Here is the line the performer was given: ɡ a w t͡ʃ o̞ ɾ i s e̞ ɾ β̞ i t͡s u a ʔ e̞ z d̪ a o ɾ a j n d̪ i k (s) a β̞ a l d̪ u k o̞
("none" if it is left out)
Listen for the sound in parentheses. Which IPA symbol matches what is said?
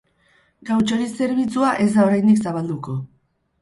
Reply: s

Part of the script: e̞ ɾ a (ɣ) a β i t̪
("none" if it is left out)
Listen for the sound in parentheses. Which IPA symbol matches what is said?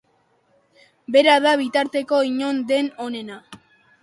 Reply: ð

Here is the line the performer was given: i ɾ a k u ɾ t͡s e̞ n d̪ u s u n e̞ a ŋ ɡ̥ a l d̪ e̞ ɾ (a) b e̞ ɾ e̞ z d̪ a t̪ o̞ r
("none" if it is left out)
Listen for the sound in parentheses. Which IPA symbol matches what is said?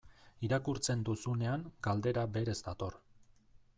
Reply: a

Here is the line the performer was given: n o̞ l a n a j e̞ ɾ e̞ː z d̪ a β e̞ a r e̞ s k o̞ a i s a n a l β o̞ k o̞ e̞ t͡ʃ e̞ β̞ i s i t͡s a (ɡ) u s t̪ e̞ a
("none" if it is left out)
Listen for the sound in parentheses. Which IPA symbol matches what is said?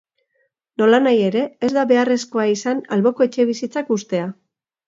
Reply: k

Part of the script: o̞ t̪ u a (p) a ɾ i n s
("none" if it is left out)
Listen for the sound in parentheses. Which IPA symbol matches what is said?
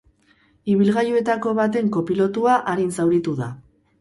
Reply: ʔ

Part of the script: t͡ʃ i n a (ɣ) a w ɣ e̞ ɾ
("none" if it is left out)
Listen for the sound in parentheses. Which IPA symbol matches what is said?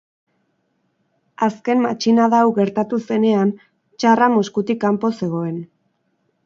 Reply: ð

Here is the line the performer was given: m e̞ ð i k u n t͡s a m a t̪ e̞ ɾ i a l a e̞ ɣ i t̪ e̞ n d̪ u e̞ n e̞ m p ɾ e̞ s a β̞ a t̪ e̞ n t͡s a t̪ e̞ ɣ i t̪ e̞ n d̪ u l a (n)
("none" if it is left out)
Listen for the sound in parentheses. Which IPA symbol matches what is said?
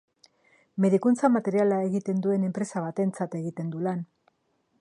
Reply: n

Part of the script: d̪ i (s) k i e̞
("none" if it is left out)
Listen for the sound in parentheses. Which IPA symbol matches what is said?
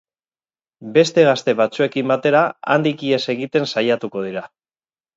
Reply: none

